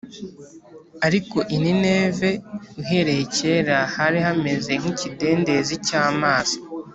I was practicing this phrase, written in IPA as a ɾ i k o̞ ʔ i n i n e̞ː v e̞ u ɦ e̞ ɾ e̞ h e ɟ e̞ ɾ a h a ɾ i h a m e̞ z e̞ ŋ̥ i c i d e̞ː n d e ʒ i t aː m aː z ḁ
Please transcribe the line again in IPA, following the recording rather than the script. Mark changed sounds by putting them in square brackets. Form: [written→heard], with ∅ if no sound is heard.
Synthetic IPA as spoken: a ɾ i k o̞ ʔ i n i n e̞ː v e̞ u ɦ e̞ ɾ e̞ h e [ɟ→c] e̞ ɾ a h a ɾ i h a m e̞ z e̞ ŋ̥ i c i d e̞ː n d e [ʒ→z] i [t→c] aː m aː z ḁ